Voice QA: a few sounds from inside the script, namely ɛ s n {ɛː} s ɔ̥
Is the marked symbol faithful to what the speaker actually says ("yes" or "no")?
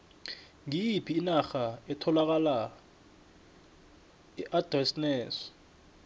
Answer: yes